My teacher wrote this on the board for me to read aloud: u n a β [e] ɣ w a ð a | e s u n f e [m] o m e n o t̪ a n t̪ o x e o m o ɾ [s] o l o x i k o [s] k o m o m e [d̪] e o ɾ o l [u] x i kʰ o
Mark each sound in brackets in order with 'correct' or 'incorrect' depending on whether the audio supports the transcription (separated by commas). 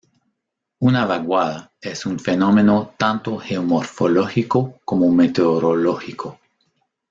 incorrect, incorrect, incorrect, incorrect, incorrect, incorrect